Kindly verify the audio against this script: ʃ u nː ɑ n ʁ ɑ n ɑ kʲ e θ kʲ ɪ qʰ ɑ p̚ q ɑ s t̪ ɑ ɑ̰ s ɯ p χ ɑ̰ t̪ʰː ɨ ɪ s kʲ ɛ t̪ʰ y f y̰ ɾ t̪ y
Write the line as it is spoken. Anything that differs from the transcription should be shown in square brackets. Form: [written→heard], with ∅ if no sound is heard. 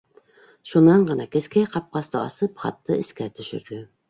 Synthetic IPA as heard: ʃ u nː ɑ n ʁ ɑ n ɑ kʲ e [θ→s] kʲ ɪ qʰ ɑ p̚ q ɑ s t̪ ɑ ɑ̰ s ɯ p χ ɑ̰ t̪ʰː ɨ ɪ s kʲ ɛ t̪ʰ y [f→ʃ] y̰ ɾ [t̪→d̪] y